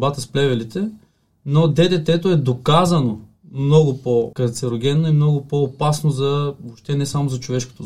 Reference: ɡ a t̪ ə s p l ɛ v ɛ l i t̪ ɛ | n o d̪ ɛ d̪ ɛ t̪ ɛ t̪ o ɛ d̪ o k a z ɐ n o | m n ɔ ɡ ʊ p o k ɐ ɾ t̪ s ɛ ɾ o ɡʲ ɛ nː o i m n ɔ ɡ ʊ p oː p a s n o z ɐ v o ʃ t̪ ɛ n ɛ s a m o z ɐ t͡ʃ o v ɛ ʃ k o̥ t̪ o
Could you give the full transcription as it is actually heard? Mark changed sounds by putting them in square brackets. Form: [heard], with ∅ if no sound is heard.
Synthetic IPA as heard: [b] a t̪ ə s p l ɛ v ɛ l i t̪ ɛ | n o d̪ ɛ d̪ ɛ t̪ ɛ t̪ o ɛ d̪ o k a z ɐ n o | m n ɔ ɡ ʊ p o k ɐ ɾ t̪ s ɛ ɾ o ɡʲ ɛ nː o i m n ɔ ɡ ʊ p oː p a s n o z ɐ v o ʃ t̪ ɛ n ɛ s a m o z ɐ t͡ʃ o v ɛ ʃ k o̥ t̪ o